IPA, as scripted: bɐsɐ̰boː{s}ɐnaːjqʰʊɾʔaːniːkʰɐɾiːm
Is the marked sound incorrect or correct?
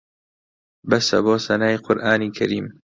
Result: correct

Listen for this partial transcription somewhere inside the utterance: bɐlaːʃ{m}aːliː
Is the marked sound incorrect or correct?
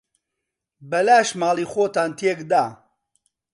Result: correct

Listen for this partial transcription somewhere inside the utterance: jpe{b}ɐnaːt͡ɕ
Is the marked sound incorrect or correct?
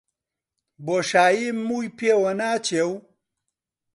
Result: incorrect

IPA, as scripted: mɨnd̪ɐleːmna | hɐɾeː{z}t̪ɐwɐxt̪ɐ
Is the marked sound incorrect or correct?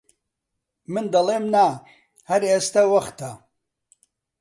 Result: incorrect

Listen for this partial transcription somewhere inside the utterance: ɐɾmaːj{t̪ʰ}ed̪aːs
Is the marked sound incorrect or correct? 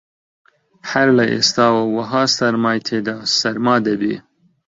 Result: correct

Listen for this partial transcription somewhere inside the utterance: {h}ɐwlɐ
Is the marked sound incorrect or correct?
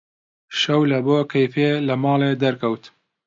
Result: incorrect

